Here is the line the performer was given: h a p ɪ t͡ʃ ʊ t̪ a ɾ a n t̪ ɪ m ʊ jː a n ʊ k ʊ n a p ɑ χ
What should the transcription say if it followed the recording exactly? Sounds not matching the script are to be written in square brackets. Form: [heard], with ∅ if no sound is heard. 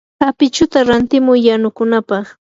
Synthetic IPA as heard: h a p ɪ t͡ʃ ʊ t̪ a ɾ a n t̪ ɪ m ʊ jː a n ʊ k ʊ n a p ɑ χ